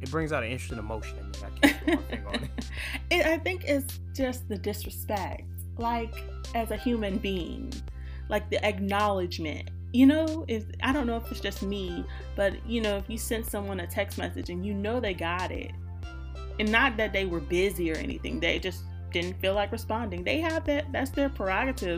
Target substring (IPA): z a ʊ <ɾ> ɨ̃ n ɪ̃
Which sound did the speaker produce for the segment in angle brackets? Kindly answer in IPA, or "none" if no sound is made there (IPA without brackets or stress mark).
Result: ɾ